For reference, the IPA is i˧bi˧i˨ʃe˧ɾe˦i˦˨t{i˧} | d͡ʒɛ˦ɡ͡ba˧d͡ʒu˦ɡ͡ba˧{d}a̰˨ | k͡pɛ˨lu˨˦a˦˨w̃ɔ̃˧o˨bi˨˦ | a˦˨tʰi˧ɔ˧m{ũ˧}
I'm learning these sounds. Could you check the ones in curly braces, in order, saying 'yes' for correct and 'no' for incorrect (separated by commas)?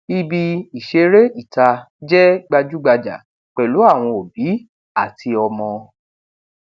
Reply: no, no, no